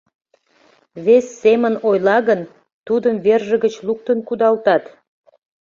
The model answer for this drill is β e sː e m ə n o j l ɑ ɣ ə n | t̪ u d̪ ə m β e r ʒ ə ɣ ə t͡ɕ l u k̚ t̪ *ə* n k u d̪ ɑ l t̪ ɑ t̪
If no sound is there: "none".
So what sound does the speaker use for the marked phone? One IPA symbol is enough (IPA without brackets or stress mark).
ə